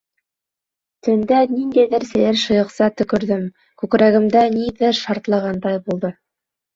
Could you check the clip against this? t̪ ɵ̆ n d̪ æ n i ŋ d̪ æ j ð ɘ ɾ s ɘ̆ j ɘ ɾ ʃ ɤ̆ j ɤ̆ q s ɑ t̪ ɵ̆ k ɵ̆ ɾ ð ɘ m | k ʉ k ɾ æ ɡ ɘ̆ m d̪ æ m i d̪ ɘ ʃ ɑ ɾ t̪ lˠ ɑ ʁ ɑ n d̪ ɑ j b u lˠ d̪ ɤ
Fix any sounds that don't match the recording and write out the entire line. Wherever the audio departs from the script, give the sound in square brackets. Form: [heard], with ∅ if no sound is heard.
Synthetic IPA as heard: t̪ ɵ̆ n d̪ æ n i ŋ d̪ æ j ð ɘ ɾ s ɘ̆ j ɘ ɾ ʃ ɤ̆ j ɤ̆ q s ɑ t̪ ɵ̆ k ɵ̆ ɾ ð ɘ m | k ʉ k ɾ æ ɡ ɘ̆ m d̪ æ [n] i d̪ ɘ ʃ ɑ ɾ t̪ lˠ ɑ ʁ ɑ n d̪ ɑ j b u lˠ d̪ ɤ